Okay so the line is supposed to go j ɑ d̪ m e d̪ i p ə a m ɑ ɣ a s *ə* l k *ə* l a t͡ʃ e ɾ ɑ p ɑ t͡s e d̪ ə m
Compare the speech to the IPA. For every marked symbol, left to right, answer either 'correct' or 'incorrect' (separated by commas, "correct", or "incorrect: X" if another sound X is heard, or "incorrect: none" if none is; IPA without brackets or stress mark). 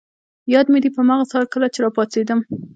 incorrect: ɑ, correct